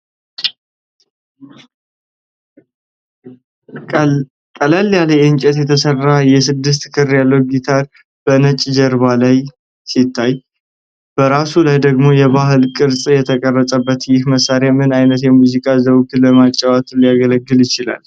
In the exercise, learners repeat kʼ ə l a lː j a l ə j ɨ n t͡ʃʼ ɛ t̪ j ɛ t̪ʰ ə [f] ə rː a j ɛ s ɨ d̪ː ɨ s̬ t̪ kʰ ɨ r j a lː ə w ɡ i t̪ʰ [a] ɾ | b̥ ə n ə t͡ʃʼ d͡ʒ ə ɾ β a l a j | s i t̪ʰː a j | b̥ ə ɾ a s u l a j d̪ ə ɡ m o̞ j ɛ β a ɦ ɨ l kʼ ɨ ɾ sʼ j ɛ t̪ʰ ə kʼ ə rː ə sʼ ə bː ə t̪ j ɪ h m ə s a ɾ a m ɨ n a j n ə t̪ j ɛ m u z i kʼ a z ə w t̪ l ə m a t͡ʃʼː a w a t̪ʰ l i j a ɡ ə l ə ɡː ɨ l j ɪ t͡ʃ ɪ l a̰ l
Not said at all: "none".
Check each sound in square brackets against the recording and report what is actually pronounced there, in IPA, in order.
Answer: s, a

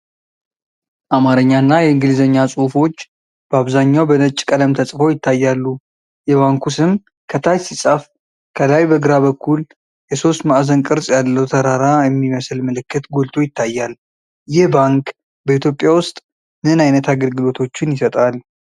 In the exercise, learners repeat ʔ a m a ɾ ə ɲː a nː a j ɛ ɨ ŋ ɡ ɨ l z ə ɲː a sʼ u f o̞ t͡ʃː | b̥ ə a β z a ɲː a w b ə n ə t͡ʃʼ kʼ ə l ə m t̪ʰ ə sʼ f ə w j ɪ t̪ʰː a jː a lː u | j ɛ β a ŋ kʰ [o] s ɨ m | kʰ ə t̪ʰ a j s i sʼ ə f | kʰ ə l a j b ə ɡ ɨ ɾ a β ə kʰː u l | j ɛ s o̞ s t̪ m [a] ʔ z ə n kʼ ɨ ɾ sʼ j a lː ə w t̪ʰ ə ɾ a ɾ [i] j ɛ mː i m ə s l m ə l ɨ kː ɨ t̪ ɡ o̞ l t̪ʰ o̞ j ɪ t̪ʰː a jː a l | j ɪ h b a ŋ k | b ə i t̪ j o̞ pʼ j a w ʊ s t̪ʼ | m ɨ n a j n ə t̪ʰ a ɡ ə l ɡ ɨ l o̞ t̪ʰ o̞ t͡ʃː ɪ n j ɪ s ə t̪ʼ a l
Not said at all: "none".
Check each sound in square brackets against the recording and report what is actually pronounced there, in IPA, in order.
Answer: u, a, a

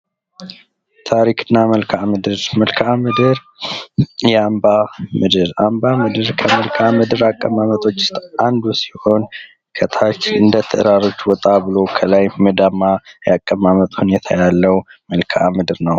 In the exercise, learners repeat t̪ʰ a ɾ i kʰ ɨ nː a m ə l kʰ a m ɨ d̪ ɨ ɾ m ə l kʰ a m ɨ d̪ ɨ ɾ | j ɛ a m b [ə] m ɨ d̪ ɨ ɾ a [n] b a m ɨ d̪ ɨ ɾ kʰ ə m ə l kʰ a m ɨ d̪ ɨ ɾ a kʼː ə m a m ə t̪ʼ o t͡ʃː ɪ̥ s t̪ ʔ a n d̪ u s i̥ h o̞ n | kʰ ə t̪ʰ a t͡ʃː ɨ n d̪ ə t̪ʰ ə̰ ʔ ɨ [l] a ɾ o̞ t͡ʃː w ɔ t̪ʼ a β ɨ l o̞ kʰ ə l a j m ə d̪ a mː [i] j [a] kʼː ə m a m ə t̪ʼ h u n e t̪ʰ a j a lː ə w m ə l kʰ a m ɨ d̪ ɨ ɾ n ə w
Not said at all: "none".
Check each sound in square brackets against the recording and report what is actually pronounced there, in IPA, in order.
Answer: a, m, ɾ, a, a

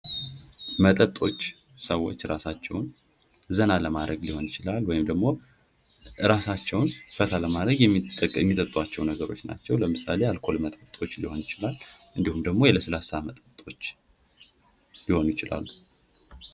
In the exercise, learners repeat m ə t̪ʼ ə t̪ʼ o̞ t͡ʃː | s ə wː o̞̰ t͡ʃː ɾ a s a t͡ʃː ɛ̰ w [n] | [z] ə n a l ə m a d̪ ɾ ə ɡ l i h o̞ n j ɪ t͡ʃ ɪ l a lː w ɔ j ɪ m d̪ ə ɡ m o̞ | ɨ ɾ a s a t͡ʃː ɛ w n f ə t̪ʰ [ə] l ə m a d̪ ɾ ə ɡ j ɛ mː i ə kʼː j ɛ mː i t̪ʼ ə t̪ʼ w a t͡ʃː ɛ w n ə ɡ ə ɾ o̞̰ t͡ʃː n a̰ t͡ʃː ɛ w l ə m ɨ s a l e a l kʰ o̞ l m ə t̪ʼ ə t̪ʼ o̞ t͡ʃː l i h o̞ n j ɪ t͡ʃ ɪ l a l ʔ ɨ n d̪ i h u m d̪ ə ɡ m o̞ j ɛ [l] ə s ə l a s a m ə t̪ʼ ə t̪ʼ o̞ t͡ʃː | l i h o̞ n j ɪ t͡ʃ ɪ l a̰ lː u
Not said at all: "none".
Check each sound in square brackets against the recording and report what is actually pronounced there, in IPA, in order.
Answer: n, z, a, l

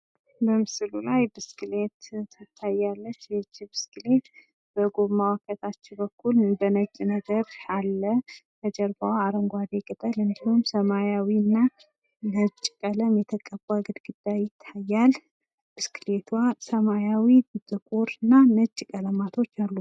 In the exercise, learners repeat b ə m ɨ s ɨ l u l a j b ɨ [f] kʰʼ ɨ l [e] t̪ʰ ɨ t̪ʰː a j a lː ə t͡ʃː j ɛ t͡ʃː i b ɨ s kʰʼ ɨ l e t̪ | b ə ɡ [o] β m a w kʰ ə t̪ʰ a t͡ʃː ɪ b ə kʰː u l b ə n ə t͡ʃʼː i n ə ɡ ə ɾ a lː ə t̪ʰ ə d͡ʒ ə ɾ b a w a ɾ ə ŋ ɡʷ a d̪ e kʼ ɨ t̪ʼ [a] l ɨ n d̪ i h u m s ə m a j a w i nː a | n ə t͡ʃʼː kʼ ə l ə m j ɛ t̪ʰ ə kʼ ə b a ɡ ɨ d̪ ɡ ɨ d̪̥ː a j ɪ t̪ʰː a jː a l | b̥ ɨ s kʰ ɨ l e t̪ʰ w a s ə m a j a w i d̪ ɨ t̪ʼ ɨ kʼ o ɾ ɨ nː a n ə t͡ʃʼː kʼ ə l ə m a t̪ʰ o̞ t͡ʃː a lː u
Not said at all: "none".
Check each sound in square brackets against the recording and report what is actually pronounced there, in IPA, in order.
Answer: s, e, o, ə

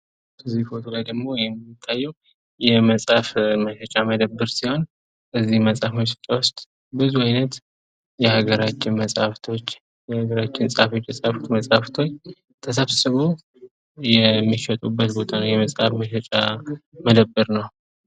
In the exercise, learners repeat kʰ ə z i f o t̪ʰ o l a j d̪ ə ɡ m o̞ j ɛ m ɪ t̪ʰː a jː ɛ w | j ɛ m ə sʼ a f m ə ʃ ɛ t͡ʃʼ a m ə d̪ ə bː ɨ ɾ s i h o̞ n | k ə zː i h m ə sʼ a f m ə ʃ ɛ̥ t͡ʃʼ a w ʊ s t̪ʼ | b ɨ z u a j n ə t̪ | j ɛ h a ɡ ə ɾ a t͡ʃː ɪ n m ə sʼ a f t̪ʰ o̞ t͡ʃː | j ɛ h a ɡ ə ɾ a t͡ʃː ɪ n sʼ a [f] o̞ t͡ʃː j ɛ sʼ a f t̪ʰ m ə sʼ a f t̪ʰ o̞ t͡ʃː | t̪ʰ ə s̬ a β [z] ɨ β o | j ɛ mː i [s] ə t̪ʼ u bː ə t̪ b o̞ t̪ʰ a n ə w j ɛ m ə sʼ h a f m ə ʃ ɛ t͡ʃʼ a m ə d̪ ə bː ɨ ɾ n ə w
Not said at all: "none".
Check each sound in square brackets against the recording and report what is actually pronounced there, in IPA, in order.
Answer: f, s, ʃ

